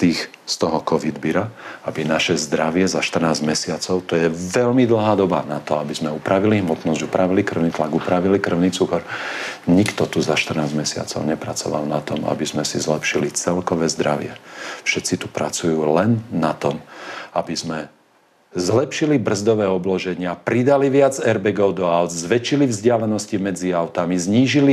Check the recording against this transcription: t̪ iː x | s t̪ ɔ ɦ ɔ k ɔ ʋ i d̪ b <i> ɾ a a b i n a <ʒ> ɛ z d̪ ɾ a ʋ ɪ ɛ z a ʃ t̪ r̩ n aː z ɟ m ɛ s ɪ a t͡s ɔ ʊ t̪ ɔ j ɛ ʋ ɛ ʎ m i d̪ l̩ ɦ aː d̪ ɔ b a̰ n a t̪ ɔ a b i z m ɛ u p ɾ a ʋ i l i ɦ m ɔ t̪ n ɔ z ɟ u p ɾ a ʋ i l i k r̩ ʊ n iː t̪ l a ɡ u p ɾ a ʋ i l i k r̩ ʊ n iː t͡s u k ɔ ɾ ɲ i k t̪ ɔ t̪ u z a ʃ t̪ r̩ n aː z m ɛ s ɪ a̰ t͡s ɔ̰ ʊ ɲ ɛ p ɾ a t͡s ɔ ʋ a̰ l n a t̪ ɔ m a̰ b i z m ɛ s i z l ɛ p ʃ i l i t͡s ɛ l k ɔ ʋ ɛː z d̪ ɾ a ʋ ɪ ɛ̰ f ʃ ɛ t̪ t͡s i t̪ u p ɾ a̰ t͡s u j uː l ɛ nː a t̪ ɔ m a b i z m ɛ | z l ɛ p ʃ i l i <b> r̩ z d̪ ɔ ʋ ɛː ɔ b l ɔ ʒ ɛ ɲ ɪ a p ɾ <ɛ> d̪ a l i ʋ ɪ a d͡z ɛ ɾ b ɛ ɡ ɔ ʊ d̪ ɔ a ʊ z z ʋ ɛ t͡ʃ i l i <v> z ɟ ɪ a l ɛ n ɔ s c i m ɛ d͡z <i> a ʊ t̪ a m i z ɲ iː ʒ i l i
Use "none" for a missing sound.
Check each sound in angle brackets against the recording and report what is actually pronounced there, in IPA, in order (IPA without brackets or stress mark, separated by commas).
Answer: i, ʃ, b, i, v, i